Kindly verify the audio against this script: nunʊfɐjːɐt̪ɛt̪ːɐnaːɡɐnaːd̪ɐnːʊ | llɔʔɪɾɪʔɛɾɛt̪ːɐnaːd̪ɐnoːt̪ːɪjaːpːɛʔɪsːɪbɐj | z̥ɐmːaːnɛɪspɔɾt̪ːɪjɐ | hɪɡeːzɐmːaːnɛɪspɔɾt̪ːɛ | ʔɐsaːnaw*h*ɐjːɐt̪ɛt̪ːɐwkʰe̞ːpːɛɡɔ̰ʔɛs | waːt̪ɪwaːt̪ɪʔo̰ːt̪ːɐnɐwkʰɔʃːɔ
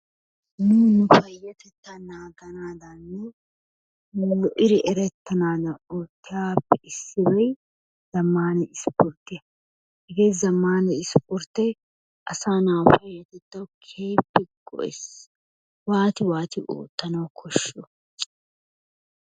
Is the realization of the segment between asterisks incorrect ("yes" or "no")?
yes